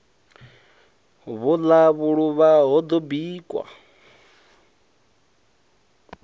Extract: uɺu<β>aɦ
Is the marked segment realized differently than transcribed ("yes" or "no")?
no